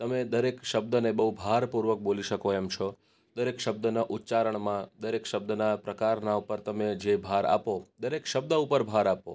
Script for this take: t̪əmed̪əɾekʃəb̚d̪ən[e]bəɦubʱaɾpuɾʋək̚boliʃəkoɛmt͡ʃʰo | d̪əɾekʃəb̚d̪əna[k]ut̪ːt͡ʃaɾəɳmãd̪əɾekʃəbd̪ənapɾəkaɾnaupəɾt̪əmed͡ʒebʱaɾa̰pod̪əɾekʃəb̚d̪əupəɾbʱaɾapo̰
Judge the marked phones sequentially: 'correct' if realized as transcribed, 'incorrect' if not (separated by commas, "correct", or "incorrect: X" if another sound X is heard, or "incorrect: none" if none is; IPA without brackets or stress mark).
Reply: correct, incorrect: ʔ